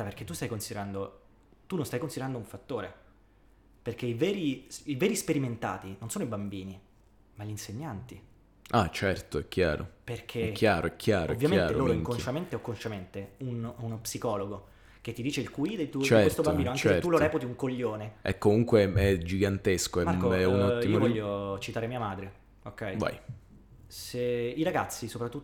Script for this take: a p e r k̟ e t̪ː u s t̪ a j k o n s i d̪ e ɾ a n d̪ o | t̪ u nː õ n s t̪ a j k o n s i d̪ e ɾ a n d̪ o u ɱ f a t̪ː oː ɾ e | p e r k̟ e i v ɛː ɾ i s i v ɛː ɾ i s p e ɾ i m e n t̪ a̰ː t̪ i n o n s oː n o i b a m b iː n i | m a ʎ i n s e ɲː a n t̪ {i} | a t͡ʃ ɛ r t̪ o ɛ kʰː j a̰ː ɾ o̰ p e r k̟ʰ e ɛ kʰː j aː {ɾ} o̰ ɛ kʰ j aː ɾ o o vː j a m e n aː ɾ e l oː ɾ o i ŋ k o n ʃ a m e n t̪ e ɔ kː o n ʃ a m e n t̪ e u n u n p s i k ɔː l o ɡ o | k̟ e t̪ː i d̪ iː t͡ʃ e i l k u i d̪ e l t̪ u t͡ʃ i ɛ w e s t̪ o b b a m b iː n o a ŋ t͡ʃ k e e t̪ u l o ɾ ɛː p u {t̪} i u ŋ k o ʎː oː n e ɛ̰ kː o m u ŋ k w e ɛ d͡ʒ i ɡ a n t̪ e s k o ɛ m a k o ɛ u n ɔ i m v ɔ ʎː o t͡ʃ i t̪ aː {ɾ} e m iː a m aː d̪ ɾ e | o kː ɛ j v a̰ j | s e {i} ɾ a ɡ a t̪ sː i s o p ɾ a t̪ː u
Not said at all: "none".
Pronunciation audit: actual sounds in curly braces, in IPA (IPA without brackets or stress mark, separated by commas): i, ɾ, t̪, ɾ, i